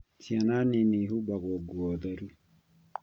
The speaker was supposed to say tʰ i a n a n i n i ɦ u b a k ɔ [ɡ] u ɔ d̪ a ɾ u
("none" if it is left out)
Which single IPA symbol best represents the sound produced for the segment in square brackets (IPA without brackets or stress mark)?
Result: ɡ